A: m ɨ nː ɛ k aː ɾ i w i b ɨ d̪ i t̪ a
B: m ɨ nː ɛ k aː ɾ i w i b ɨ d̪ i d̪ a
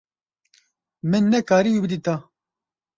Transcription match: A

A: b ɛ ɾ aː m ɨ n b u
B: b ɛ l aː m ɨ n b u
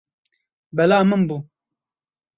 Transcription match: B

